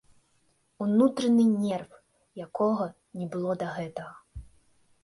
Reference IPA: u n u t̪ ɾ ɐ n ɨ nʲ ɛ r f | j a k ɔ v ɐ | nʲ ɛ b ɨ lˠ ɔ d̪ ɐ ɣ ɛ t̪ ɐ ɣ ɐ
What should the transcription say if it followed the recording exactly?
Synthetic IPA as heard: u n u t̪ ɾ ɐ n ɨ nʲ ɛ r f | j a k ɔ ɣ ɐ | nʲ ɛ b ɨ lˠ ɔ d̪ ɐ ɣ ɛ t̪ ɐ ɣ ɐ